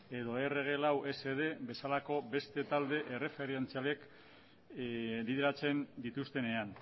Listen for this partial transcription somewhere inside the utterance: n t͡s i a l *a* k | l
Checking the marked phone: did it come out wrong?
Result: yes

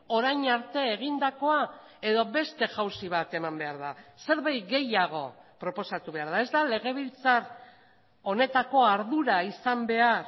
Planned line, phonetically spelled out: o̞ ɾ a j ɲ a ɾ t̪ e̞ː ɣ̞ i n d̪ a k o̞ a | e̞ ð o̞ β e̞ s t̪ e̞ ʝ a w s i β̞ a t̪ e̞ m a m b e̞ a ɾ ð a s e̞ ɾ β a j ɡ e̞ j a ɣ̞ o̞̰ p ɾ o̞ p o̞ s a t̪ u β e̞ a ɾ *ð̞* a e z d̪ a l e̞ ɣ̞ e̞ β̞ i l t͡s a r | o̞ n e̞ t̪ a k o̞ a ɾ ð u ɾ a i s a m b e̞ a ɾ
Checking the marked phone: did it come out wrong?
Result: no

